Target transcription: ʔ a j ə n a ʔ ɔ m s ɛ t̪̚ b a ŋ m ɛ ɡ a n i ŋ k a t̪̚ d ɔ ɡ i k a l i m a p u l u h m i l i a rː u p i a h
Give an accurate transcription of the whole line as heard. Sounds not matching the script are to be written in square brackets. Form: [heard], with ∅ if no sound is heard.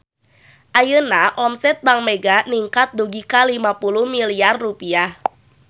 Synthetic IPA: ʔ a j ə n a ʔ ɔ m s ɛ t̪̚ b a ŋ m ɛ ɡ a n i ŋ k a t̪̚ d [u] ɡ i k a l i m a p u l u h m i l i a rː u p i a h